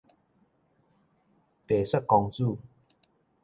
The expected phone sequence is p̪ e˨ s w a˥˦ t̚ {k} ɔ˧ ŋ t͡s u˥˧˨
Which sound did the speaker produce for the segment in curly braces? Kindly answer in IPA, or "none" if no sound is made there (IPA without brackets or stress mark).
k